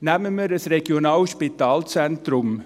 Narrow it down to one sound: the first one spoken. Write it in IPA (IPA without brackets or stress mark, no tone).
n